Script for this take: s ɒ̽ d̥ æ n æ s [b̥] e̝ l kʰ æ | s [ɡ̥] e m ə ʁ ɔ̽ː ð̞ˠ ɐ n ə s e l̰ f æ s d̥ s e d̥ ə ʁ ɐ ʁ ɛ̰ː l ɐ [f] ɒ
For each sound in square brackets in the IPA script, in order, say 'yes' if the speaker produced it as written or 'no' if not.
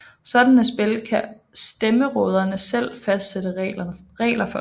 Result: yes, no, yes

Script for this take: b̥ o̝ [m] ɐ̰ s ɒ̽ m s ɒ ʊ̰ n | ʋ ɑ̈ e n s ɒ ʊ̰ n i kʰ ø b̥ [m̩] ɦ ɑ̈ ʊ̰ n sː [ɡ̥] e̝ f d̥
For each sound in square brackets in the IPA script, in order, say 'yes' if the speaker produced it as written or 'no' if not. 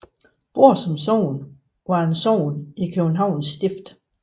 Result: no, no, no

